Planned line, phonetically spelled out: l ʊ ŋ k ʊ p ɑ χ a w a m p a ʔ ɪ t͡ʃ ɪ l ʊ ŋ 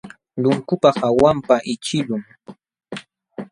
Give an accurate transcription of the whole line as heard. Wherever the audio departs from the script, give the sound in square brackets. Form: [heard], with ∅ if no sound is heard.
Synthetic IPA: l ʊ ŋ k ʊ p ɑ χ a w a m p a ʔ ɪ t͡ʃ ɪ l ʊ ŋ